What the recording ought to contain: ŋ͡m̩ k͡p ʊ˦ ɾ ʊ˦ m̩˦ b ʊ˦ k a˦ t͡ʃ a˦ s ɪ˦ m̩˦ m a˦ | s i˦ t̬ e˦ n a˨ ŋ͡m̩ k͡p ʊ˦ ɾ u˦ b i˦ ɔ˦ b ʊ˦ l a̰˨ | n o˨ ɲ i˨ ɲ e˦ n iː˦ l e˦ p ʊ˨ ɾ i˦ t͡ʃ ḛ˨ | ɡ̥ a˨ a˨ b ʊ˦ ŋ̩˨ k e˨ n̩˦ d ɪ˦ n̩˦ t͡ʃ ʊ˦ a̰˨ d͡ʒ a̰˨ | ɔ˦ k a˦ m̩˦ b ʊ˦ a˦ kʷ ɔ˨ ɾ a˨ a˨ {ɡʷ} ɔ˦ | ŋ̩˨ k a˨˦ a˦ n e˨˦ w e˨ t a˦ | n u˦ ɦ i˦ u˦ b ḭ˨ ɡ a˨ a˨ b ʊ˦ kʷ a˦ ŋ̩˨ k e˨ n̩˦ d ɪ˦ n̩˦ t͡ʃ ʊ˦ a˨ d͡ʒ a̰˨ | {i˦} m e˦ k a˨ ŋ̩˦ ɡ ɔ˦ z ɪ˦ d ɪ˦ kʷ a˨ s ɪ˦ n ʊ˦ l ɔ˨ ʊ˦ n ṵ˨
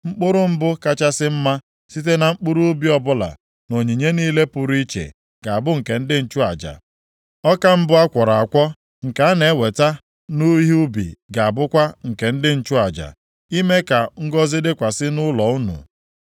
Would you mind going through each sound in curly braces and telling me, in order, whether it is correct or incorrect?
incorrect: kʷ, correct

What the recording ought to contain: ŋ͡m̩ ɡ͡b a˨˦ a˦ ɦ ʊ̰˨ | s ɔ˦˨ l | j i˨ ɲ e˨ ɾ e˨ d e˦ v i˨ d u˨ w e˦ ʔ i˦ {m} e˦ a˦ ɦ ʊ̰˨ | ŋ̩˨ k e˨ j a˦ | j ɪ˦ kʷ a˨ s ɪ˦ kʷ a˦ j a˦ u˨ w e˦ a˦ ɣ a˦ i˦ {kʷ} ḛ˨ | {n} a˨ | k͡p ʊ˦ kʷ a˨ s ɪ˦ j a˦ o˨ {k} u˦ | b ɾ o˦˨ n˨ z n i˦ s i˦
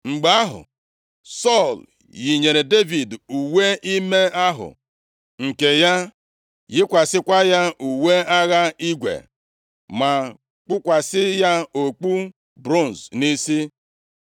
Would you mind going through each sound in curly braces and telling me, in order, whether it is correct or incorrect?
correct, incorrect: ɡʷ, incorrect: m, incorrect: k͡p

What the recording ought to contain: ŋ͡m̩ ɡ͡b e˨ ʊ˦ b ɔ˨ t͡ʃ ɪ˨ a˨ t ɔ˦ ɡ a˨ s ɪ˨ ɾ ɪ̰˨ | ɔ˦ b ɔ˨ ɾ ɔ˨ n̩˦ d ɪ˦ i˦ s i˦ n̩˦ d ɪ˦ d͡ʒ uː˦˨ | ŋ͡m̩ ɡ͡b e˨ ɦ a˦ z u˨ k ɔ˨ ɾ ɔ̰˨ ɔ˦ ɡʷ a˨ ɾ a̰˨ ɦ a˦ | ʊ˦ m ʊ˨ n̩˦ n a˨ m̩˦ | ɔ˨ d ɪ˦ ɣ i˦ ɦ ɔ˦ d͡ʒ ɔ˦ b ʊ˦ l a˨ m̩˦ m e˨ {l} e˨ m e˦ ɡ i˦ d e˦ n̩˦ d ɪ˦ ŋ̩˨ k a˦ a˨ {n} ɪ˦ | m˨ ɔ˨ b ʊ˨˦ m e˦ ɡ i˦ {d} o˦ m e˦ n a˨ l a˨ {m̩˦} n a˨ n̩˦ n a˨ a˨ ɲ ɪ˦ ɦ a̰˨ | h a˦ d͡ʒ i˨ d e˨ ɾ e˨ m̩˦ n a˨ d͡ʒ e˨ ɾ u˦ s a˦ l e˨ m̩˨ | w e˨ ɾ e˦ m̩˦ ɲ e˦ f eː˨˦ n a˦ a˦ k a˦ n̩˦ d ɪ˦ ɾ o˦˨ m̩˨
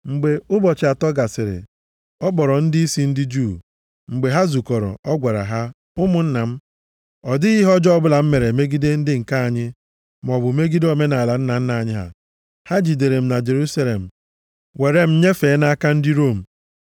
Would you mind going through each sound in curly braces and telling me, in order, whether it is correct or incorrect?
incorrect: ɾ, incorrect: ɲ, correct, incorrect: n̩˦

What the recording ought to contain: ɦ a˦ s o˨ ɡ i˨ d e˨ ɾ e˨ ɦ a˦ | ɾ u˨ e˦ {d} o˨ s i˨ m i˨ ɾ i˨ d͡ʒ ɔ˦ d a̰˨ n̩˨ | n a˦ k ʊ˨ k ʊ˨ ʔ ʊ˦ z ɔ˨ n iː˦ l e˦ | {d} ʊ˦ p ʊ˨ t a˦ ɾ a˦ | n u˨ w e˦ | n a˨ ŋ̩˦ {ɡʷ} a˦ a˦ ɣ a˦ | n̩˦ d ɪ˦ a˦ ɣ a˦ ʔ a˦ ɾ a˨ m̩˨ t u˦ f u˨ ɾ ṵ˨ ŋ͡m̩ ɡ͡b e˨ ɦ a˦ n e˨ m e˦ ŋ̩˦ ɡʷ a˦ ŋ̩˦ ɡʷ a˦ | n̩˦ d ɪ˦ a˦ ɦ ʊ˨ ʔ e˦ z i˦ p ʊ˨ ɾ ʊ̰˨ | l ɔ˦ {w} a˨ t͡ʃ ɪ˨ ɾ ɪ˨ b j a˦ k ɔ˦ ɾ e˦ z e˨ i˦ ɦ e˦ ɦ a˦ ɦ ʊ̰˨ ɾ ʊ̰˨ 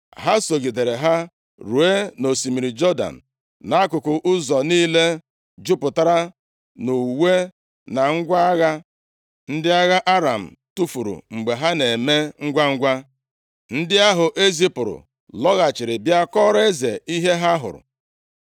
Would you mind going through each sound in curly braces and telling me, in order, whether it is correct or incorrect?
incorrect: n, incorrect: d͡ʒ, correct, incorrect: ɣ

